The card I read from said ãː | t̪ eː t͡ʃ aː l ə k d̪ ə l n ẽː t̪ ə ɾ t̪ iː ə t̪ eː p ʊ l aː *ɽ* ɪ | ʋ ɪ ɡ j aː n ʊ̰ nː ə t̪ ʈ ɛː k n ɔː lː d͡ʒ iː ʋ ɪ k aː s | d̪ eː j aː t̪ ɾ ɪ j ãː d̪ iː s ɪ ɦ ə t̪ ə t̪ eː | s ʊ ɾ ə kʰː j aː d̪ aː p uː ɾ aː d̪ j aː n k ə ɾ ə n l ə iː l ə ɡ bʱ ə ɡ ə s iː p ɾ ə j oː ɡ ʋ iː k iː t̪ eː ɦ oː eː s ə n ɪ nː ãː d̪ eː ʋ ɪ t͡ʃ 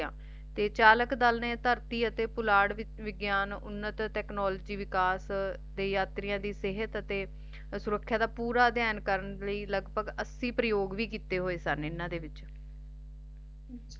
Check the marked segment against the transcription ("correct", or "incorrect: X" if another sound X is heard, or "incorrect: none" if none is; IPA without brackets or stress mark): correct